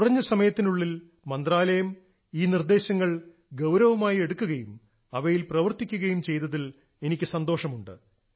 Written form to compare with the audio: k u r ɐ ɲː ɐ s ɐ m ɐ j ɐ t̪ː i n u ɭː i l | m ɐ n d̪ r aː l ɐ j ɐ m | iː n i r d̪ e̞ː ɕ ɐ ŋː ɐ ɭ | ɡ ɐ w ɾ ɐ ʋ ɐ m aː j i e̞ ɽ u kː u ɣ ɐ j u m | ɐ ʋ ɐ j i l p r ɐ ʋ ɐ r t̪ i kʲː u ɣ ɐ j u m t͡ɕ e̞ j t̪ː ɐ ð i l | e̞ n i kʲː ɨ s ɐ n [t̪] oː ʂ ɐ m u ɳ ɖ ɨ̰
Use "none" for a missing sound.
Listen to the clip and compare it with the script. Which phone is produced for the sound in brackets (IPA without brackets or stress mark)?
d̪